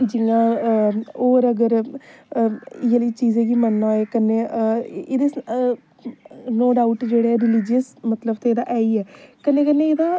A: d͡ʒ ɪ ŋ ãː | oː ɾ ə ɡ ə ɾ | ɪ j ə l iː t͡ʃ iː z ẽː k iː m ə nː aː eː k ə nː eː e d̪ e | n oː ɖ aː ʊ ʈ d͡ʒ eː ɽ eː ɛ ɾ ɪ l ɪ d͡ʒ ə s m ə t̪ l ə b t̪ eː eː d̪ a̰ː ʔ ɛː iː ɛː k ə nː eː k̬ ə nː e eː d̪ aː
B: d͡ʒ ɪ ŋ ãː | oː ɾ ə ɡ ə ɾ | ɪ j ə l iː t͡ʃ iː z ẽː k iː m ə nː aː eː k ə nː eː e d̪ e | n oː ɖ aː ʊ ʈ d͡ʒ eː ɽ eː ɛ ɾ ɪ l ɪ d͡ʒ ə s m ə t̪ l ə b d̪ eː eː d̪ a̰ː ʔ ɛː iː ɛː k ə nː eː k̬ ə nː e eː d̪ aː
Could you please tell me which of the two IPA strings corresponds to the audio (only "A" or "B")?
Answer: A